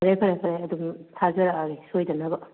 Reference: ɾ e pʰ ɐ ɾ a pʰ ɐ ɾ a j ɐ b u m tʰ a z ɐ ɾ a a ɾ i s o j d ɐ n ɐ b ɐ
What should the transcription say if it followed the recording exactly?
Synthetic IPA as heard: ɾ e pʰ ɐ ɾ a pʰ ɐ ɾ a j ɐ d u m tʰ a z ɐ ɾ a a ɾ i s o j d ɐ n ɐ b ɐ

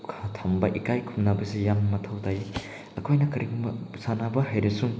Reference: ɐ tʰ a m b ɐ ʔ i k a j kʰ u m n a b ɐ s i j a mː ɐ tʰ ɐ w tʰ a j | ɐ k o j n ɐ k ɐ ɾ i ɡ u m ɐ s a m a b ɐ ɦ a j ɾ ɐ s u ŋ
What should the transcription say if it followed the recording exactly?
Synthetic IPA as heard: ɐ tʰ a m b ɐ ʔ i k a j kʰ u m n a b ɐ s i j a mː ɐ tʰ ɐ w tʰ a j | ɐ kʰ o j n ɐ k ɐ ɾ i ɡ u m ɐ s a n a b ɐ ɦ a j ɾ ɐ s u ŋ

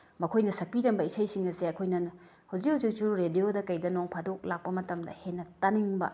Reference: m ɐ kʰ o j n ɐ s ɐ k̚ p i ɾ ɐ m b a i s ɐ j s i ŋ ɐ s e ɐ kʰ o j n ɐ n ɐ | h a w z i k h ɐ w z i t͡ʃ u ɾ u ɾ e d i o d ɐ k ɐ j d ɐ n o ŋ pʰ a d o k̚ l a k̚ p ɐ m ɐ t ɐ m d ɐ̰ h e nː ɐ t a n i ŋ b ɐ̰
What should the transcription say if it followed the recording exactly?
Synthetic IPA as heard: m ɐ kʰ o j n ɐ s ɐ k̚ p i ɾ ɐ m b ɐ i s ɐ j s i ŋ ɐ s e ɐ kʰ o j n ɐ n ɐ | h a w z i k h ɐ w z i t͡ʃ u ɾ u ɾ e d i o d ɐ k ɐ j d ɐ n o ŋ pʰ a d o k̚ l a k̚ p ɐ m ɐ t ɐ m d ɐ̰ h e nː ɐ t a n i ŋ b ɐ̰

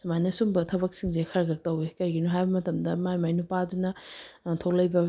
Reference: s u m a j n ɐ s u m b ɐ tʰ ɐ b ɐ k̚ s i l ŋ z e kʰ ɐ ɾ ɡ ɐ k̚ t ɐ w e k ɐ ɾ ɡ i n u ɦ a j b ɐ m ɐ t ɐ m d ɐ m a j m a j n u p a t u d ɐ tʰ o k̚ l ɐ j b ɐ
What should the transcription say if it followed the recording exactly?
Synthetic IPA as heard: s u m a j n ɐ s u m b ɐ tʰ ɐ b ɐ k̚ s i ŋ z e kʰ ɐ ɾ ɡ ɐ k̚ t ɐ w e k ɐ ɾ ɡ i n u ɦ a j b ɐ m ɐ t ɐ m d ɐ m a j m a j n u p a d u n ɐ tʰ o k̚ l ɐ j b ɐ

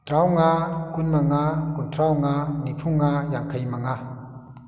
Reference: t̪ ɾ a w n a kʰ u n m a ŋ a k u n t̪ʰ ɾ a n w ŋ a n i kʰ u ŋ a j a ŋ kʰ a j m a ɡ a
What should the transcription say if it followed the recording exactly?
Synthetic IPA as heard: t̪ ɾ a w ŋ a k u n m a ŋ a k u n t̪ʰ ɾ a w ŋ a n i pʰ u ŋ a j a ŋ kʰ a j m a ŋ a

